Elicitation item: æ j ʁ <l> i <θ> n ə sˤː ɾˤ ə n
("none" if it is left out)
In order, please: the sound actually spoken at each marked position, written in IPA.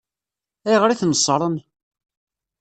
ɾ, θ

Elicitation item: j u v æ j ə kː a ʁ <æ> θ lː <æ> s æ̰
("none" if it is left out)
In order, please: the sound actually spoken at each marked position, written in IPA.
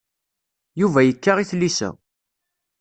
i, i

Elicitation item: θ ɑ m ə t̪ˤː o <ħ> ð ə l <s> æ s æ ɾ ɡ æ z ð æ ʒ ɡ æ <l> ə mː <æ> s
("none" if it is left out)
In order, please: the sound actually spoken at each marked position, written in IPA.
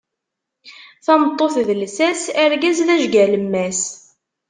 θ, s, l, æ

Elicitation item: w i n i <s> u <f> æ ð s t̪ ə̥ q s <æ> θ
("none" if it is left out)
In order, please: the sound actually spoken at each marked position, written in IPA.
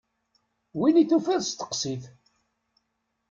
θ, f, i

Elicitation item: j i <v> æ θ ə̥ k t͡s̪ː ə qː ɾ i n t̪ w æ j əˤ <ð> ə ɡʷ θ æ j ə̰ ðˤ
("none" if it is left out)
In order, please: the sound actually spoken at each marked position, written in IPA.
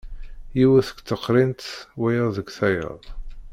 w, ð

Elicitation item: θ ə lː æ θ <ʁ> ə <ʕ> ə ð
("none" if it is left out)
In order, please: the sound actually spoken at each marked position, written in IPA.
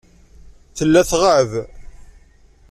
ʁ, ʕ

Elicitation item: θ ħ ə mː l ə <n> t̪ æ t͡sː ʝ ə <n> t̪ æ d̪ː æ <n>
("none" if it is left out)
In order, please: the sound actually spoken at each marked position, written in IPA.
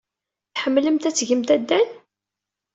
m, m, n

